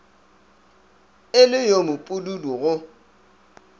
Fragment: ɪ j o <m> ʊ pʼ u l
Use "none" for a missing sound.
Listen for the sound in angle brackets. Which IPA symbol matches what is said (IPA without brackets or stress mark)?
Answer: m